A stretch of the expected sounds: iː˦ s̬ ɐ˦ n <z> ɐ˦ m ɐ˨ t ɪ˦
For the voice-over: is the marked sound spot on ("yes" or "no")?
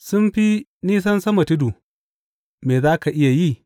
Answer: no